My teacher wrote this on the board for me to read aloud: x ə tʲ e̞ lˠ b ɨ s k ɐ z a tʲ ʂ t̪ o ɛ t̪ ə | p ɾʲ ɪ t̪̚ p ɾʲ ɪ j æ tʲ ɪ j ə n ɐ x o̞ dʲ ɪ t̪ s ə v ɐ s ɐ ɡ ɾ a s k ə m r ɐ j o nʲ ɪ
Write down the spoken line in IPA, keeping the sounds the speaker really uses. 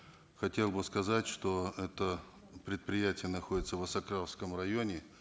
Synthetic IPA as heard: x ɐ tʲ e̞ lˠ b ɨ s k ɐ z a tʲ ʂ t̪ o ɛ t̪ ə | p ɾʲ ɪ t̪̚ p ɾʲ ɪ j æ tʲ ɪ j ə n ɐ x o̞ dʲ ɪ t̪ s ə v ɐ s ɐ k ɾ a s k ə m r ɐ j o nʲ ɪ